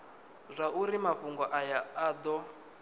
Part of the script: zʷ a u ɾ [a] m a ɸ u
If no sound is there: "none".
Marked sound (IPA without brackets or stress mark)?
i